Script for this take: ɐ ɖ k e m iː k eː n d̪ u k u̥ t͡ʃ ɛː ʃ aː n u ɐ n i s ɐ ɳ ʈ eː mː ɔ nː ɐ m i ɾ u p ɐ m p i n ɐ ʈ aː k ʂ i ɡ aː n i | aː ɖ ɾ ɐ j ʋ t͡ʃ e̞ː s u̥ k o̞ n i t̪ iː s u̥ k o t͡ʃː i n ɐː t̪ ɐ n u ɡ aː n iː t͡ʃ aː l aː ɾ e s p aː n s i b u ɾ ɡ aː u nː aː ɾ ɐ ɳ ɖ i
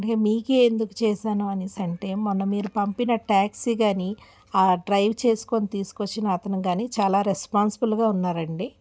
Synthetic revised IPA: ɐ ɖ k e m iː k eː n d̪ u k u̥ t͡ʃ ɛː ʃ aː n u ɐ n i s ɐ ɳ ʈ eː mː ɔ nː ɐ m iː ɾ u p ɐ m p i n ɐ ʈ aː k s i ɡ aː n i | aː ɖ ɾ ɐ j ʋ t͡ʃ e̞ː s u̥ k o̞ n i t̪ iː s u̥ k o t͡ʃː i n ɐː t̪ ɐ n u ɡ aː n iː t͡ʃ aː l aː ɾ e s p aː n s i b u l ɡ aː u nː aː ɾ ɐ ɳ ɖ i